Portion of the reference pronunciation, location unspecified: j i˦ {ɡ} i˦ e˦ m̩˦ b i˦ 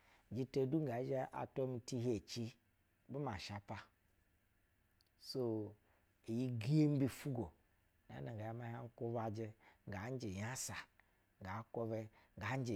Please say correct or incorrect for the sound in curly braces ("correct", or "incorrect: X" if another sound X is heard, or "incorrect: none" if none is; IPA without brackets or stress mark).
correct